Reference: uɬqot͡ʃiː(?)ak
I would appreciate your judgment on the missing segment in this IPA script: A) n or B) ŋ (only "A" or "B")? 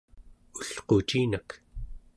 A